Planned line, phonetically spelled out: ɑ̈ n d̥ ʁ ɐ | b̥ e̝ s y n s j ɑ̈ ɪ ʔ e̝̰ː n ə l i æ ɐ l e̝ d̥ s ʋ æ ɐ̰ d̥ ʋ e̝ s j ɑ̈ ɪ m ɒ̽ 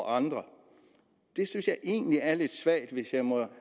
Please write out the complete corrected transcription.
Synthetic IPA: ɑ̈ n d̥ ʁ ɐ | d̥ e̝ s y n s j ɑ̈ ɪ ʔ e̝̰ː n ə l i æ ɐ l e̝ d̥ s ʋ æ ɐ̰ d̥ ʋ e̝ s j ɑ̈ ɪ m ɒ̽

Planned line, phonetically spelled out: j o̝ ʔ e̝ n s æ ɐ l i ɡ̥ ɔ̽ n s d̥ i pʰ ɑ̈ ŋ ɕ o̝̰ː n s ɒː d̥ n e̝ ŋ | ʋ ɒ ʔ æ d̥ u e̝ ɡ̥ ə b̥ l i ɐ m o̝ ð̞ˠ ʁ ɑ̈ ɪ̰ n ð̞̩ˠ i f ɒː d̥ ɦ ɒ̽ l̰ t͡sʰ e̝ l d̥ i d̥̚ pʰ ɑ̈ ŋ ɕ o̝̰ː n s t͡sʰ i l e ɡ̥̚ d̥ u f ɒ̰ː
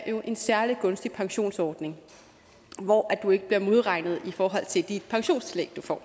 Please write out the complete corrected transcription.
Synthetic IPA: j o̝ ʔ e̝ n s æ ɐ l i ɡ̥ ɔ̽ n s d̥ i pʰ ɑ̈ ŋ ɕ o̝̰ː n s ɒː d̥ n e̝ ŋ | ʋ ɒ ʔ æ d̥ u e̝ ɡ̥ ə b̥ l i ɐ m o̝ ð̞ˠ ʁ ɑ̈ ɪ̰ n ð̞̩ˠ i f ɒː ɦ ɒ̽ l̰ t͡sʰ e̝ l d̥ i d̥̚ pʰ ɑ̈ ŋ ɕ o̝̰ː n s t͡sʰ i l e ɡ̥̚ d̥ u f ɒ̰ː

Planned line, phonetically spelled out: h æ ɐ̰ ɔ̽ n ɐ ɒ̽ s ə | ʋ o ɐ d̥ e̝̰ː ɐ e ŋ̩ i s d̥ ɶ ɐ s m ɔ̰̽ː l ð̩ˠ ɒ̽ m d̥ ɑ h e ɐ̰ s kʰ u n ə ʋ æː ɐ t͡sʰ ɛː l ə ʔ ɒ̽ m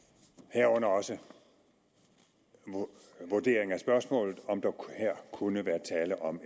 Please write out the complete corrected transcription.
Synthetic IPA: h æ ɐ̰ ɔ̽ n ɐ ɒ̽ s ə | ʋ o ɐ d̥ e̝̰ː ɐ e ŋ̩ æ s b̥ ɶ ɐ s m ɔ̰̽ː l ð̩ˠ ɒ̽ m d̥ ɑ h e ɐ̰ kʰ u n ə ʋ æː ɐ t͡sʰ ɛː l ə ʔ ɒ̽ m

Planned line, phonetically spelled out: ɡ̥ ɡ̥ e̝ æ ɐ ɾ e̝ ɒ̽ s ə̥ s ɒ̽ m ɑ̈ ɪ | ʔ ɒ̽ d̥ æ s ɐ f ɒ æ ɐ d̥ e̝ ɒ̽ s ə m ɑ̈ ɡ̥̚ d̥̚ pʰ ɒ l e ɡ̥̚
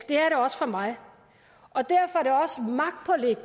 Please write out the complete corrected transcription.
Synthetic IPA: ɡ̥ d̥ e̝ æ ɐ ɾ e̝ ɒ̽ s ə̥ f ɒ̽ m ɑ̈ ɪ | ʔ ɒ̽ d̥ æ ɐ f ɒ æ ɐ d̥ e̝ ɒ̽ s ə m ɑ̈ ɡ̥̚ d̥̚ pʰ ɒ l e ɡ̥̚

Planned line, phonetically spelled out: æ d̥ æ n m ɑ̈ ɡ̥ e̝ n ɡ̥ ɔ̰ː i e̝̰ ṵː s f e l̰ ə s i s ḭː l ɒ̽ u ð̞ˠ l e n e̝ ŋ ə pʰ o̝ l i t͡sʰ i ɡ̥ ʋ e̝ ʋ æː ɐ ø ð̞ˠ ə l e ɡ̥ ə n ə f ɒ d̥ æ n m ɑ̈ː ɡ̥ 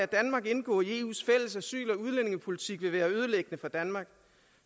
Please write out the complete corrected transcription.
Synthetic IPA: æ d̥ æ n m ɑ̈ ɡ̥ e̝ n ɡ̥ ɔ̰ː i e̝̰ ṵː s f e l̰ ə s æ s y̰ː l ɒ̽ u ð̞ˠ l e n e̝ ŋ ə pʰ o̝ l i t͡sʰ i ɡ̥ ʋ e̝ ʋ æː ɐ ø ð̞ˠ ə l e ɡ̥ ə n ə f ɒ d̥ æ n m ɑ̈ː ɡ̥

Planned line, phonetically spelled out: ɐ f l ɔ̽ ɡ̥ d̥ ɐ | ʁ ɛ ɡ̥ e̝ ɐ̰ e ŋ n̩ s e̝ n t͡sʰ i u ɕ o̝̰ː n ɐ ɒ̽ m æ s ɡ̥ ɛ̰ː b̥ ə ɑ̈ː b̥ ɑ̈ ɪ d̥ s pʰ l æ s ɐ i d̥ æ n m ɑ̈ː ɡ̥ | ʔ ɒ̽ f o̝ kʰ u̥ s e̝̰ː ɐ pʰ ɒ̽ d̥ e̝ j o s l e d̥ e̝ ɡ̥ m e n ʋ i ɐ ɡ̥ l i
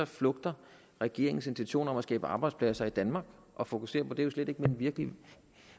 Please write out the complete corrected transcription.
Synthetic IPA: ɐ f l ɔ̽ ɡ̥ d̥ ɐ | ʁ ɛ ɡ̥ e̝ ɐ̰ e ŋ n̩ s e̝ n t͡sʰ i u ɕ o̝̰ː n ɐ ɒ̽ m æ s ɡ̥ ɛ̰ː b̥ ə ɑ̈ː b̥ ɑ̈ ɪ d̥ s pʰ l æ s ɐ i d̥ æ n m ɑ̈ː ɡ̥ | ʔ ɒ̽ f o̝ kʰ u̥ s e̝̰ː ɐ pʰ ɒ̽ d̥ e̝ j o s l e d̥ e̝ ɡ̥ m e n ʋ i ɐ ɡ̥ l i

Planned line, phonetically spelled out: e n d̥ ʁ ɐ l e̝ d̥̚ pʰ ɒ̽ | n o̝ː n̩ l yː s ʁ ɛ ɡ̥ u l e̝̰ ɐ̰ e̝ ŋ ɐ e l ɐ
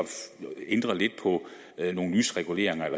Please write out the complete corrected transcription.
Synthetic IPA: e n d̥ ʁ ɐ l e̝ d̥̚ pʰ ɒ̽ | n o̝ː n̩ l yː s ʁ ɛ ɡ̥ u l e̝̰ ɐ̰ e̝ ŋ ɐ e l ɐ

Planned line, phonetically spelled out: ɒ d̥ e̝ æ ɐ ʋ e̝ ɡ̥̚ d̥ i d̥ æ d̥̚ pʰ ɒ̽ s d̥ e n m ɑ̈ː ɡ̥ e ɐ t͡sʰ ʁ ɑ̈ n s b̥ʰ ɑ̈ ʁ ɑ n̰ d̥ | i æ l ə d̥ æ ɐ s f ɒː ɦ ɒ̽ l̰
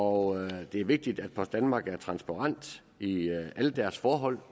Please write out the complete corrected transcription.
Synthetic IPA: ɒ d̥ e̝ æ ɐ ʋ e̝ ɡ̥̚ d̥ i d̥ æ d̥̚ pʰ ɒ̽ s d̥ æ n m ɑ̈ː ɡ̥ æ ɐ t͡sʰ ʁ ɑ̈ n s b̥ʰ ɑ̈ ʁ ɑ n̰ d̥ | i æ l ə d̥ æ ɐ s f ɒː ɦ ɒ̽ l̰

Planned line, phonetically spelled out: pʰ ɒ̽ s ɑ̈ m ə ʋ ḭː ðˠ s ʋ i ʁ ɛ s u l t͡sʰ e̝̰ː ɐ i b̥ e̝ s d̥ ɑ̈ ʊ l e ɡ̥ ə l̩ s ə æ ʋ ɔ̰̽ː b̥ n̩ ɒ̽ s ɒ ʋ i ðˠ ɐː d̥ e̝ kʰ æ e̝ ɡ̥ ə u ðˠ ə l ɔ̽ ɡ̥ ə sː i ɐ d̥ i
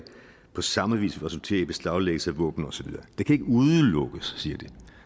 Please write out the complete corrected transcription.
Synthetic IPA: pʰ ɒ̽ s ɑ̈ m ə ʋ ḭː s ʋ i ʁ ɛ s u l t͡sʰ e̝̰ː ɐ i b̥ e̝ s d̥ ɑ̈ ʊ l e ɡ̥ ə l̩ s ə æ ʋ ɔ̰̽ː b̥ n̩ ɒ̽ s ɒ ʋ i ðˠ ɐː d̥ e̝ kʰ æ e̝ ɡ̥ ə u ðˠ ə l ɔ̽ ɡ̥ ə sː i ɐ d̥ i

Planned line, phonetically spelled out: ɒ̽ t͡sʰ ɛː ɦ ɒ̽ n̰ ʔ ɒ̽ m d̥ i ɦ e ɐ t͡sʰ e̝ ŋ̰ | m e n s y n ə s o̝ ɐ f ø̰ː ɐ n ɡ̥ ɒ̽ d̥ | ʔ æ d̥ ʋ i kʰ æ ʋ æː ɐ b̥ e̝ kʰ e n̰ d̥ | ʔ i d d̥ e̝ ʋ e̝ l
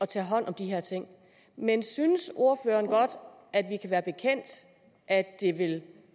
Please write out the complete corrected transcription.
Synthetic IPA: ɒ̽ t͡sʰ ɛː ɦ ɒ̽ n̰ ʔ ɒ̽ m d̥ i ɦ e ɐ t͡sʰ e̝ ŋ̰ | m e n s y n ə s o̝ ɐ f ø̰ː ɐ n ɡ̥ ɒ̽ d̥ | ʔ æ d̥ ʋ i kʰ æ ʋ æː ɐ b̥ e̝ kʰ e n̰ d̥ | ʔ æ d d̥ e̝ ʋ e̝ l

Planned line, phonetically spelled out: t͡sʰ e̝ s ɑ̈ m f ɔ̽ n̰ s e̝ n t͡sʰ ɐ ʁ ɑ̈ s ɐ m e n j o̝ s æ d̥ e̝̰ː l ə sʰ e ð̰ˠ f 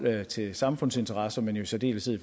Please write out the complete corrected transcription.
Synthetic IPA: t͡sʰ e̝ s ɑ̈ m f ɔ̽ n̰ s e̝ n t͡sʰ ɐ ʁ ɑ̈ s ɐ m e n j o̝ s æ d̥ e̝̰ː l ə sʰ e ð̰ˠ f

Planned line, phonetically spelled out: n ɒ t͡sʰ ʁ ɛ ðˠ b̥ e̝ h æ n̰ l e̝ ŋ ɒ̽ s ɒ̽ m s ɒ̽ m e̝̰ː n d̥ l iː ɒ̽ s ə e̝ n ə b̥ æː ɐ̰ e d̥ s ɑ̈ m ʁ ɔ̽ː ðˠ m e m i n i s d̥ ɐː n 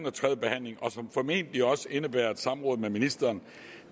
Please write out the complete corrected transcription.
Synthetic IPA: n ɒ t͡sʰ ʁ ɛ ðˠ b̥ e̝ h æ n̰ l e̝ ŋ ɒ̽ s ɒ̽ m f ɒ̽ m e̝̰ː n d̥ l i ɒ̽ s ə e̝ n ə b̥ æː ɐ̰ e d̥ s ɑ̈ m ʁ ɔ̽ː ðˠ m e m i n i s d̥ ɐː n

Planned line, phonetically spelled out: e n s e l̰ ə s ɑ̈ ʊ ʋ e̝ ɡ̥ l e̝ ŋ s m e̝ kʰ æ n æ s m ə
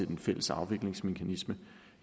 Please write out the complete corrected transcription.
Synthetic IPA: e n f e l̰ ə s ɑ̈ ʊ ʋ e̝ ɡ̥ l e̝ ŋ s m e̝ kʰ æ n i s m ə

